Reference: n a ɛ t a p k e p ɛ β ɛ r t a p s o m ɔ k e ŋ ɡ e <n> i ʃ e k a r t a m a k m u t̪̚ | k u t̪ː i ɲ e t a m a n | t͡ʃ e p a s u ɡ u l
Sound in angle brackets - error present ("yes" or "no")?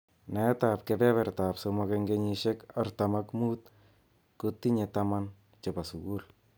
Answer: yes